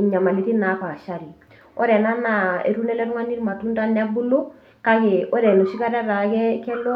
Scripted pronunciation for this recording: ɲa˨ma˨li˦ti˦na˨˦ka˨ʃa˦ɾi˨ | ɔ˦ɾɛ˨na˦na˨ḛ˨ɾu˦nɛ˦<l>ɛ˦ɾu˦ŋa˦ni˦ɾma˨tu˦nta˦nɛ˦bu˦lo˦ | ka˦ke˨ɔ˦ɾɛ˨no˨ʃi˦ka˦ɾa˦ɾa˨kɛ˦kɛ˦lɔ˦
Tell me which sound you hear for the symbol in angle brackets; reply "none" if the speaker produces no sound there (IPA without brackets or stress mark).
l